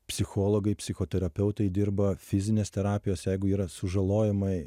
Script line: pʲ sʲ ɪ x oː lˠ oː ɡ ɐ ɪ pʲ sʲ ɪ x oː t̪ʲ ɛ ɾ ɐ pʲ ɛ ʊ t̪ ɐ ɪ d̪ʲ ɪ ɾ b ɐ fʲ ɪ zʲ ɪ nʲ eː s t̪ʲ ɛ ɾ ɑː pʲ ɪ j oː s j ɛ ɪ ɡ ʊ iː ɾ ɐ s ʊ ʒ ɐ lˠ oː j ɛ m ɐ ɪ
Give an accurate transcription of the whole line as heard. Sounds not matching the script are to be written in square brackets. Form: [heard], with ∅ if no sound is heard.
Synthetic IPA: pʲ sʲ ɪ x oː lˠ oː ɡ ɐ ɪ pʲ sʲ ɪ x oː t̪ʲ ɛ ɾ ɐ pʲ ɛ ʊ t̪ ɐ ɪ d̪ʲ ɪ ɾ b ɐ fʲ ɪ zʲ ɪ nʲ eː s t̪ʲ ɛ ɾ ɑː pʲ ɪ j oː s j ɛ ɪ ɡ ʊ iː ɾ ɐ s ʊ ʒ ɐ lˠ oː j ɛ m ɐ ɪ